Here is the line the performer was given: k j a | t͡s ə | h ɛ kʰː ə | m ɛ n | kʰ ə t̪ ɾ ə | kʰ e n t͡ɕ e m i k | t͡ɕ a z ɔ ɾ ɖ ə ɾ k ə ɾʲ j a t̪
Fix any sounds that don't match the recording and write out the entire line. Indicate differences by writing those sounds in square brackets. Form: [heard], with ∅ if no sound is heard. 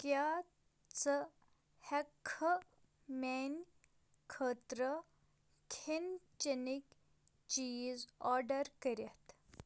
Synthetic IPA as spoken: k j a | t͡s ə | h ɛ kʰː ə | m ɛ n | kʰ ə t̪ ɾ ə | kʰ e n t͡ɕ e [n] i k | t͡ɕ [i] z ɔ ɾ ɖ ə ɾ k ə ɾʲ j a t̪